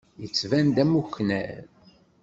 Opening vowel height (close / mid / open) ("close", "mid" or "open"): mid